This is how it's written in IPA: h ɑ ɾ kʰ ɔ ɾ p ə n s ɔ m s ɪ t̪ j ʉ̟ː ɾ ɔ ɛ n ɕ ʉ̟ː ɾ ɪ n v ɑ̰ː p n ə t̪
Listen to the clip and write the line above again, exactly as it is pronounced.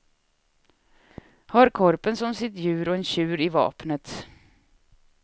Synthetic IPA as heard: h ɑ ɾ kʰ ɔ ɾ p ə n s ɔ m s ɪ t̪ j ʉ̟ː ɾ ɔ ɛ n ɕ ʉ̟ː ɾ ɪ v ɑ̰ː p n ə t̪